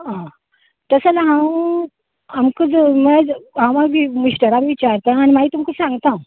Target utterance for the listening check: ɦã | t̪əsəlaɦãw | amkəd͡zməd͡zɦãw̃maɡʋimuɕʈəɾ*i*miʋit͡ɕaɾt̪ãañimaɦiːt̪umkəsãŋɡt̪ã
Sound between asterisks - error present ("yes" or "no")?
yes